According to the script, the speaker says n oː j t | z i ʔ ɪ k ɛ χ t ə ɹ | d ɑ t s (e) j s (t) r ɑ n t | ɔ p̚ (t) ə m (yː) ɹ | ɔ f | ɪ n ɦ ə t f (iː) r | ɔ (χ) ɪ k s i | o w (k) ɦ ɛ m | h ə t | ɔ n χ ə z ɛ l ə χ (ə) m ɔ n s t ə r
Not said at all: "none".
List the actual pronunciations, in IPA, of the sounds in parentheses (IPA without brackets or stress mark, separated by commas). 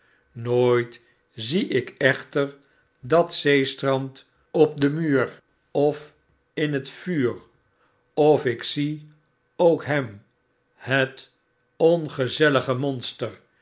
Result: e, t, d, yː, yː, f, k, ə